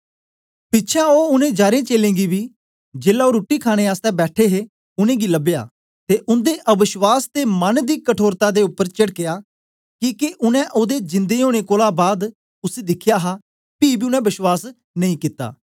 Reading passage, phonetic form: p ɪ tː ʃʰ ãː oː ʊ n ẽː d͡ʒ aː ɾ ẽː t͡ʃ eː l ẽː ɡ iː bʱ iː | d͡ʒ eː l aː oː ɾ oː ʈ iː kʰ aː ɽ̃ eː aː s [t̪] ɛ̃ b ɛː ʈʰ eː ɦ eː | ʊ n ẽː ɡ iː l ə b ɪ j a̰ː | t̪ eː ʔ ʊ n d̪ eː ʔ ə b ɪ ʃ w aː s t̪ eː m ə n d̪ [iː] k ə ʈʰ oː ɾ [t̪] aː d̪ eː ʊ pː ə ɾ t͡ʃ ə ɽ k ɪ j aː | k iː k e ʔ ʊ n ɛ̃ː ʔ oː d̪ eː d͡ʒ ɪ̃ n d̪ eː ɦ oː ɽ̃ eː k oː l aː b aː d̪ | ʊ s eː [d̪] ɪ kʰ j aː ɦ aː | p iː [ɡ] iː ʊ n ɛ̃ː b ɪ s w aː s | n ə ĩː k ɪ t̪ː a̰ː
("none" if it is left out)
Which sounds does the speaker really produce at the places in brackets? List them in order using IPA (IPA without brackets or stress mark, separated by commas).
t̪, iː, t̪, d̪, b